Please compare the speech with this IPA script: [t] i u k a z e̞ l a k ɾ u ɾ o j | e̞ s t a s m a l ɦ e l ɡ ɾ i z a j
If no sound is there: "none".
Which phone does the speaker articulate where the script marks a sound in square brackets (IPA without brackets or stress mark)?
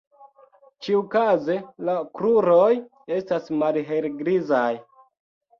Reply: t͡ʃ